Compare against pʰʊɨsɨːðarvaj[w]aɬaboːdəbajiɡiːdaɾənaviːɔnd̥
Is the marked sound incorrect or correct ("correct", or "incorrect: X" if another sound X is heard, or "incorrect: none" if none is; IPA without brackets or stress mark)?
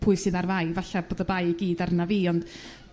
incorrect: v